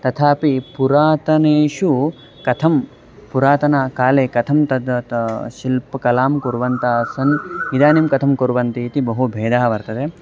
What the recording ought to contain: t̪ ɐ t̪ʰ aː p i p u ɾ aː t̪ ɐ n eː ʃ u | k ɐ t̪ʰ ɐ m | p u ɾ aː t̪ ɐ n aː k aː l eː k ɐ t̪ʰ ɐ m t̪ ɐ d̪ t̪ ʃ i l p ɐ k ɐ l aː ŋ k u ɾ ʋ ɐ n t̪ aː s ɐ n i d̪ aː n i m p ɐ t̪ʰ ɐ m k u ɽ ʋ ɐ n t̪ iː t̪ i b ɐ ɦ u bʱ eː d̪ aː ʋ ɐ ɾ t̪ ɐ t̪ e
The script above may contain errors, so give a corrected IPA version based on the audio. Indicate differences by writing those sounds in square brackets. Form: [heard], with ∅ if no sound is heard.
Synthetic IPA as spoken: t̪ ɐ t̪ʰ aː p i p u ɾ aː t̪ ɐ n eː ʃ u | k ɐ t̪ʰ ɐ m | p u ɾ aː t̪ ɐ n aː k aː l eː k ɐ t̪ʰ ɐ m t̪ ɐ d̪ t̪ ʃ i l p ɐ k ɐ l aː [m] k u ɾ ʋ ɐ n t̪ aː s ɐ n i d̪ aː n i m [k] ɐ t̪ʰ ɐ m k u [ɾ] ʋ ɐ n t̪ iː t̪ i b ɐ ɦ u bʱ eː d̪ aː ʋ ɐ ɾ t̪ ɐ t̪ e